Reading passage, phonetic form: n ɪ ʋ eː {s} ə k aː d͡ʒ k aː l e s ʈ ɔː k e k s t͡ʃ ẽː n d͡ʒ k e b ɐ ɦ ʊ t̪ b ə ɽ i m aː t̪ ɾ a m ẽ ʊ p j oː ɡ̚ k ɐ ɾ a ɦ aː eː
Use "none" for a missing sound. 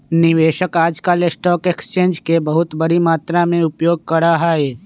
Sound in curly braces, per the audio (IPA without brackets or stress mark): ʃ